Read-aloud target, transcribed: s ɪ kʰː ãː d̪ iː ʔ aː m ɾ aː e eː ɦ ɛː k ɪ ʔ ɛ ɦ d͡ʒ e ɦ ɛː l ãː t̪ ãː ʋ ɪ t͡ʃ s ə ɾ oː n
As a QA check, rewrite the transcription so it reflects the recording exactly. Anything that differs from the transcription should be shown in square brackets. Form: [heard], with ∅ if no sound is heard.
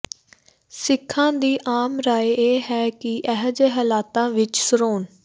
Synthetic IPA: s ɪ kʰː ãː d̪ iː ʔ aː m ɾ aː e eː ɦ ɛː k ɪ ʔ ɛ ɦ d͡ʒ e ɦ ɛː l [aː] t̪ ãː ʋ ɪ t͡ʃ s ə ɾ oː n